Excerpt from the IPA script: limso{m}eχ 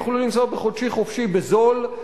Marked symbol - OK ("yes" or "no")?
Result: no